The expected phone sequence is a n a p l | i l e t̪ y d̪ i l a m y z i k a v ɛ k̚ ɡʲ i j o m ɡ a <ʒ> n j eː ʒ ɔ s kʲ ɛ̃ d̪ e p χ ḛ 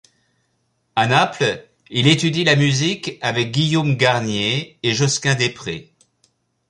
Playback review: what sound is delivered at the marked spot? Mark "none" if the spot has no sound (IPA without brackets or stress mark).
ʁ